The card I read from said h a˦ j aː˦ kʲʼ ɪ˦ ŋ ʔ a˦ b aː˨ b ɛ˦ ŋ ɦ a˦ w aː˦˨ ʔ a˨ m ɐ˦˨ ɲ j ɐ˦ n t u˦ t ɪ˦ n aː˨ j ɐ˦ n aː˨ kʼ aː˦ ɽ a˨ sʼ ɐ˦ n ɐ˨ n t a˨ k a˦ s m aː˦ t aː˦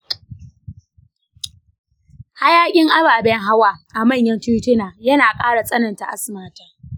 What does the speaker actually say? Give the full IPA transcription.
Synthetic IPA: h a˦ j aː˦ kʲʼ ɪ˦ ŋ ʔ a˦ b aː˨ b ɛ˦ ŋ ɦ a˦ w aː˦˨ ʔ a˨ m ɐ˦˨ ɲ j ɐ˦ n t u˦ t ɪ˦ n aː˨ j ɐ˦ n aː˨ kʼ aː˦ ɽ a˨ sʼ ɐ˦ n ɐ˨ n t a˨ ʔ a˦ s m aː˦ t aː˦